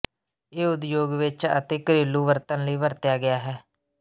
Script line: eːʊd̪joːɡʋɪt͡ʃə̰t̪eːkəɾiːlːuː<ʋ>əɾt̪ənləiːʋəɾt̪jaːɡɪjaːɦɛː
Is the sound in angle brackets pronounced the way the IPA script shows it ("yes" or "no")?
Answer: yes